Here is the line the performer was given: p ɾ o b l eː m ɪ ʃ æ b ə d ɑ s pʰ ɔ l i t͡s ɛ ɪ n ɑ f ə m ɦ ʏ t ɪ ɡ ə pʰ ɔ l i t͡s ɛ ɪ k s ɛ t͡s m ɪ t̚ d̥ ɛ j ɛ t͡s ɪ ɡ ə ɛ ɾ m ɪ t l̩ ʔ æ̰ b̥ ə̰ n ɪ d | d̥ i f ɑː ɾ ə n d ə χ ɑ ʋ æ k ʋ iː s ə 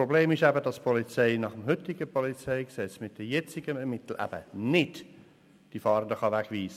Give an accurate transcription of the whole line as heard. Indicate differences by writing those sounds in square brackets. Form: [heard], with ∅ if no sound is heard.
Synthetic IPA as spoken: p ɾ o b l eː m ɪ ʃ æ b ə d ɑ s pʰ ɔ l i t͡s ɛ ɪ n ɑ [χ] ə m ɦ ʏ t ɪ ɡ ə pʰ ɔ l i t͡s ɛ ɪ k s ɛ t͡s m ɪ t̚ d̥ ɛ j ɛ t͡s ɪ ɡ ə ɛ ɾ m ɪ t l̩ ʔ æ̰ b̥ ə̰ n ɪ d | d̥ i f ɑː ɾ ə n d ə χ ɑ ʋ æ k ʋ iː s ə